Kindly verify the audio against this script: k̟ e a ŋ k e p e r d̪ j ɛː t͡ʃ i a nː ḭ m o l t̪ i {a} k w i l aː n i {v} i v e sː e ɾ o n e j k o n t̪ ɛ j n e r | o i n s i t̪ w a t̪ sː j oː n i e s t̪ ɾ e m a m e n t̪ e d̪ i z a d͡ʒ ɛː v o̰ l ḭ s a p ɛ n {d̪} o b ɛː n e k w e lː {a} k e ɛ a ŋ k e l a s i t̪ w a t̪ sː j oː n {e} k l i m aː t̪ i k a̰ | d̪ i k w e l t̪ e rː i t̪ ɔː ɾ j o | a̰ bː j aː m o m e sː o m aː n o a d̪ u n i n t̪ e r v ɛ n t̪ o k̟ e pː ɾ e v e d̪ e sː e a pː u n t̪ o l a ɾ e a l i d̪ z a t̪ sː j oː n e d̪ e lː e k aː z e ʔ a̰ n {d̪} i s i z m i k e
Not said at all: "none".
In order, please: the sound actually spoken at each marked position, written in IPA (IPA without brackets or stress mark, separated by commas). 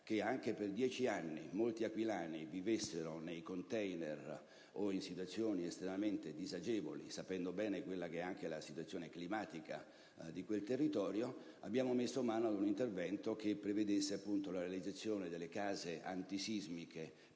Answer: a, v, d̪, a, e, t̪